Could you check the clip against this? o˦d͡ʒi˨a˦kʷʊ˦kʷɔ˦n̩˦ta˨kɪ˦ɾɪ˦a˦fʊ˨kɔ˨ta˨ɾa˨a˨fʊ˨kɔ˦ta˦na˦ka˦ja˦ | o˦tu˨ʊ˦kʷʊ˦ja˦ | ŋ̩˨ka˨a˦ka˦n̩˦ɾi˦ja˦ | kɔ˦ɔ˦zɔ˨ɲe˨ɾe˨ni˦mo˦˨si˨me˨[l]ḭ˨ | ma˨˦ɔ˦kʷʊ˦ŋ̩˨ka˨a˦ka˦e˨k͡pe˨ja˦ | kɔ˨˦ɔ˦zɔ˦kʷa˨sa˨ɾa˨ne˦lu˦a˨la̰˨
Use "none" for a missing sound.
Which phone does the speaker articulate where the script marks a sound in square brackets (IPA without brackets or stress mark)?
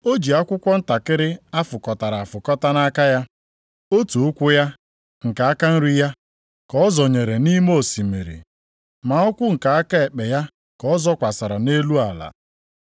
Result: ɾ